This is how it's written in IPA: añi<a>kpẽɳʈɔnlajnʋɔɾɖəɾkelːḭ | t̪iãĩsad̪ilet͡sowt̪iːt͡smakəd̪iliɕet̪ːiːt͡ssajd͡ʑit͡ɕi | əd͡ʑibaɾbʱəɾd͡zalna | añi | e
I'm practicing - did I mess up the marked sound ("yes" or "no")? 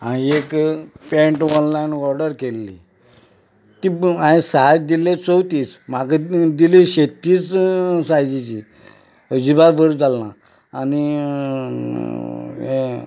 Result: yes